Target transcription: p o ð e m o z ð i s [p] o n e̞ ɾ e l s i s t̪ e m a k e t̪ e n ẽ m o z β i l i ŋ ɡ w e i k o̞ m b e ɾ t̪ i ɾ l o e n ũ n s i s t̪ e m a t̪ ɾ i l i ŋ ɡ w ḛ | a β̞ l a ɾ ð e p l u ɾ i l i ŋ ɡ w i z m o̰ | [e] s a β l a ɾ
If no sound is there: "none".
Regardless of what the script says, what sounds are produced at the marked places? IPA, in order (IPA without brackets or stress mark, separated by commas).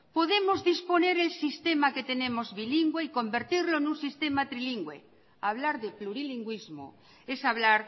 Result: p, e